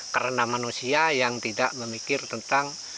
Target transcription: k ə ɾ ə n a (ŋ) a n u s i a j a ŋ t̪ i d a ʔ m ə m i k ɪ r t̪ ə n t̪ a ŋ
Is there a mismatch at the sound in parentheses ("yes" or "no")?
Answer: yes